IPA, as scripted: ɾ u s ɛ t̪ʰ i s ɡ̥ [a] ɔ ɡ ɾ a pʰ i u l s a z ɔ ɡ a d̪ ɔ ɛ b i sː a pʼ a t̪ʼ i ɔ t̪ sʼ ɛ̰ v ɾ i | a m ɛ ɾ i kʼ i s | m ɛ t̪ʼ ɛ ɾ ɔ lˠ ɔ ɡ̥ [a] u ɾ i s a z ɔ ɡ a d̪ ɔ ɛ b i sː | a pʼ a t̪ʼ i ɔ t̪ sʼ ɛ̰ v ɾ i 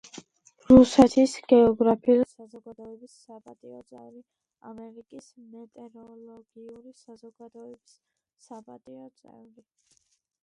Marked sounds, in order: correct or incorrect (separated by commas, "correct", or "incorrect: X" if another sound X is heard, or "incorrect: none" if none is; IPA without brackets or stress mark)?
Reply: incorrect: ɛ, incorrect: i